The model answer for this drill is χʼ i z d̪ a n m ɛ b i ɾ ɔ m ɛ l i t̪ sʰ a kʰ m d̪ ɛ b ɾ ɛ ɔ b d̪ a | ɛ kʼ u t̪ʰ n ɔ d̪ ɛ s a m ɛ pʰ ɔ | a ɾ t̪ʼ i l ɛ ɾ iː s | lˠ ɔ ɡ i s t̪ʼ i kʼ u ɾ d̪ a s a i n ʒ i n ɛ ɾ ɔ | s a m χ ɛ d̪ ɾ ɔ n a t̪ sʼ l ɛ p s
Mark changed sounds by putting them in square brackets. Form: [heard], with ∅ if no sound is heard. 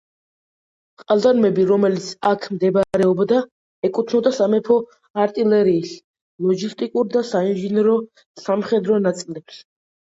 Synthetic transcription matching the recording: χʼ [a] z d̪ a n m ɛ b i ɾ ɔ m ɛ l i t̪ sʰ a kʰ m d̪ ɛ b ɾ ɛ ɔ b d̪ a | ɛ kʼ u t̪ʰ n ɔ d̪ [a] s a m ɛ pʰ ɔ | a ɾ t̪ʼ i l ɛ ɾ iː s | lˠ ɔ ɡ i s t̪ʼ i kʼ u ɾ d̪ a s a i n ʒ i n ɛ ɾ ɔ | s a m χ ɛ d̪ ɾ ɔ n a t̪ sʼ l ɛ p s